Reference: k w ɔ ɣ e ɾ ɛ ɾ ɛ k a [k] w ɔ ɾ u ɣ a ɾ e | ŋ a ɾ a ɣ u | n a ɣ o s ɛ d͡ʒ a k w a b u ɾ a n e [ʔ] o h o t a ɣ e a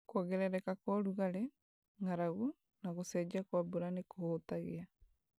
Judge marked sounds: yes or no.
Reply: yes, no

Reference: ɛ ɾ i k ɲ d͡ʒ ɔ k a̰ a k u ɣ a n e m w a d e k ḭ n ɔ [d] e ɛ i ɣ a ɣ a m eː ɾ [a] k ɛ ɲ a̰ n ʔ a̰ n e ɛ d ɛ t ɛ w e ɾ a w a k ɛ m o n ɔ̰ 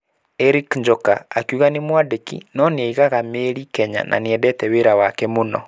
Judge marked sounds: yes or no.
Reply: no, no

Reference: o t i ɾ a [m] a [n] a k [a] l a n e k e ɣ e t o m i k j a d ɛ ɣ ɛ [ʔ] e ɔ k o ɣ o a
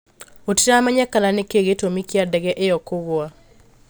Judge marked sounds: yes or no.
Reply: yes, no, yes, yes

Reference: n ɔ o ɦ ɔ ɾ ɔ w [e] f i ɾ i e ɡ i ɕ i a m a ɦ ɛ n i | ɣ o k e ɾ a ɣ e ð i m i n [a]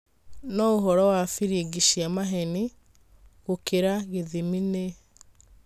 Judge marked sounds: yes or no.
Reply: no, no

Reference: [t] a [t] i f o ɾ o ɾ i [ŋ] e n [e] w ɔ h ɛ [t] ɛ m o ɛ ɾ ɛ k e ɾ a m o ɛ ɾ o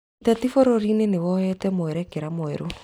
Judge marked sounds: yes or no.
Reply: yes, yes, no, yes, yes

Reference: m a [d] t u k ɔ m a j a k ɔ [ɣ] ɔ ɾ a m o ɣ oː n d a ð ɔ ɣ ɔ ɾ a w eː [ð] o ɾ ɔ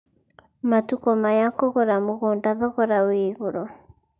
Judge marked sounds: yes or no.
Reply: no, yes, no

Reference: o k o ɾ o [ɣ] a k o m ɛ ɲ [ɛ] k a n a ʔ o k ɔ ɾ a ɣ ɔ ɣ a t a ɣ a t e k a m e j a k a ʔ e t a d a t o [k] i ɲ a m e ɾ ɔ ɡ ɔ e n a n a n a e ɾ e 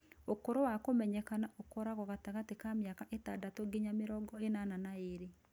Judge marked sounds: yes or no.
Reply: no, yes, no

